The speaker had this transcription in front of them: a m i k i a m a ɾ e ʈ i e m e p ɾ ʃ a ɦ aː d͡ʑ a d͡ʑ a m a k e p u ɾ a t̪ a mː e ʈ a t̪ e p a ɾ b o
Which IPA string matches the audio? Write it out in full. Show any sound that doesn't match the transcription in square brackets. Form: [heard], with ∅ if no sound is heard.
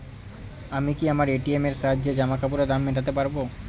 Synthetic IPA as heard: a m i k i a m a ɾ e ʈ i e m e [∅] ɾ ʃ a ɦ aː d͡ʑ [e] d͡ʑ a m a k [a] p u ɾ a [d̪] a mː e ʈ a t̪ e p a ɾ b o